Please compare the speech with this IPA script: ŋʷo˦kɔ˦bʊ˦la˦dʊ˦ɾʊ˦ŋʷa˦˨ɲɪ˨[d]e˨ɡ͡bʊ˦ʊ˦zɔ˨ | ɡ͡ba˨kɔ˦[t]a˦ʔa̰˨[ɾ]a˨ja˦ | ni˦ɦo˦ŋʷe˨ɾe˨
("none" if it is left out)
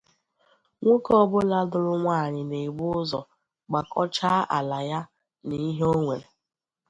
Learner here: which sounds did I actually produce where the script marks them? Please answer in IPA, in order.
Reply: n, t͡ʃ, l

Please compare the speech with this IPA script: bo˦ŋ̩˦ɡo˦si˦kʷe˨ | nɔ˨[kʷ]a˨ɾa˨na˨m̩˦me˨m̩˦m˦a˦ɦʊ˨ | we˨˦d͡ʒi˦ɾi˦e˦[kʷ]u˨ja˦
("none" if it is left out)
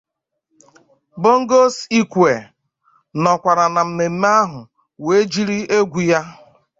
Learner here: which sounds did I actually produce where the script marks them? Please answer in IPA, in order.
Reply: kʷ, ɡʷ

